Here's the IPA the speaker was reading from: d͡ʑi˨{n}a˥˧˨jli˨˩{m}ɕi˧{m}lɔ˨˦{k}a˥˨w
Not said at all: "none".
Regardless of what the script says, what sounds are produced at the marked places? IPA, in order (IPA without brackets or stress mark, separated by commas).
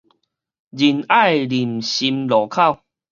n, m, m, kʰ